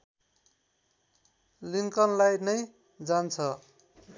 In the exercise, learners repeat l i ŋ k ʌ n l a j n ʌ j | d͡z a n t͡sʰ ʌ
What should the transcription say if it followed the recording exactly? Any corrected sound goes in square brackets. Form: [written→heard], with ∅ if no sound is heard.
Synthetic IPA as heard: l i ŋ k ʌ n l a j n ʌ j | d͡z a n t͡sʰ ʌ